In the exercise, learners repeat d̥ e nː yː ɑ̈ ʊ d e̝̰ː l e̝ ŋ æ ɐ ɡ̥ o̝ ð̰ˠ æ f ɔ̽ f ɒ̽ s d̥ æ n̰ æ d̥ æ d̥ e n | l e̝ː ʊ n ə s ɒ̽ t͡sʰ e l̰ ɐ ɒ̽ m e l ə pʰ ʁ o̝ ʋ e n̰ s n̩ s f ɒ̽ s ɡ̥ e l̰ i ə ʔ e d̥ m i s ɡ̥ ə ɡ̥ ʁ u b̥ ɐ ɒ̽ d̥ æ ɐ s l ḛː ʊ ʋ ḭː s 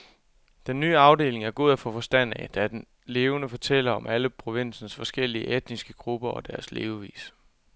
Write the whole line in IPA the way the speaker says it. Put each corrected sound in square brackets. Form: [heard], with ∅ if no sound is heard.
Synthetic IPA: d̥ e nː yː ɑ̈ ʊ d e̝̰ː l e̝ ŋ æ ɐ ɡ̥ o̝ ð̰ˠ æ f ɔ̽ f ɒ̽ s d̥ æ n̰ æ d̥ æ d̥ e n | l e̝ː ʊ n ə [f] ɒ̽ t͡sʰ e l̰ ɐ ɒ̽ m [æ] l ə pʰ ʁ o̝ ʋ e n̰ s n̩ s f ɒ̽ s ɡ̥ e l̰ i ə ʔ e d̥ [n] i s ɡ̥ ə ɡ̥ ʁ u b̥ ɐ ɒ̽ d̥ æ ɐ s l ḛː ʊ ʋ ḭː s